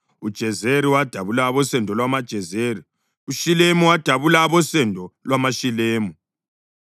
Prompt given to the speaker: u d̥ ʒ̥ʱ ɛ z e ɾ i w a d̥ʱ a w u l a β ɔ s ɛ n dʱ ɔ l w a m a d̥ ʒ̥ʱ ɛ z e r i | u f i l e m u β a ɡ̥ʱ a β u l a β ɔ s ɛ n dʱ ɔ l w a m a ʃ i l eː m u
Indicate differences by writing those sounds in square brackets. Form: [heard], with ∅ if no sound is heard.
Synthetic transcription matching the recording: u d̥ ʒ̥ʱ ɛ z e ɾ i w a d̥ʱ a [β] u l a β ɔ s ɛ n dʱ ɔ l w a m a d̥ ʒ̥ʱ ɛ z e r i | u [ʃ] i l e m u [w] a [d̥ʱ] a β u l a β ɔ s ɛ n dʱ ɔ l w a m a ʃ i l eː m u